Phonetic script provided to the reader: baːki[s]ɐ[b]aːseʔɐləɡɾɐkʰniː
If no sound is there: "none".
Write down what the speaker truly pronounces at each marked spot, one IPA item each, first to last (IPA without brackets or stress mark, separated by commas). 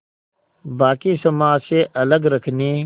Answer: s, m